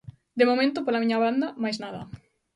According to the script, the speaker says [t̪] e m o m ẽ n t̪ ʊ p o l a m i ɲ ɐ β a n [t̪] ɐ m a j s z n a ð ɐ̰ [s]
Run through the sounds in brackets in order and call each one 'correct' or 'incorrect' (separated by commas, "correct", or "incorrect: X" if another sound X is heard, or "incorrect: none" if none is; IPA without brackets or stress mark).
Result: incorrect: d̪, incorrect: d̪, incorrect: none